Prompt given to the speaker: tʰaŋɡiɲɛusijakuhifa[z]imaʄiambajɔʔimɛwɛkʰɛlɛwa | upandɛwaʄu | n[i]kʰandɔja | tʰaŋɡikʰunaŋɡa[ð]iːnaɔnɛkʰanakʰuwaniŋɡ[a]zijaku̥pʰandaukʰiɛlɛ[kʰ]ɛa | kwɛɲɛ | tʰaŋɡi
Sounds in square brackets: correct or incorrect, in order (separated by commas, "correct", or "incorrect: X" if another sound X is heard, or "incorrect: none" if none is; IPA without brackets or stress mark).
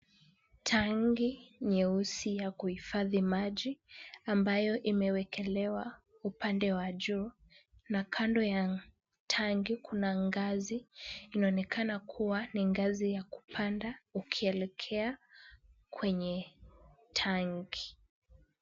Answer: incorrect: ð, incorrect: a, incorrect: z, correct, correct